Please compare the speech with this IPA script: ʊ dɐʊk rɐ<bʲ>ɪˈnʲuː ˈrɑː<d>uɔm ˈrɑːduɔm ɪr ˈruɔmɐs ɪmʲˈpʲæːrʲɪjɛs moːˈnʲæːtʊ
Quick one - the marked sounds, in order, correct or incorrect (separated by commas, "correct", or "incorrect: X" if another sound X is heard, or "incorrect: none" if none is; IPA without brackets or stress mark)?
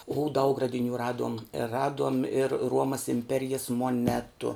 incorrect: dʲ, correct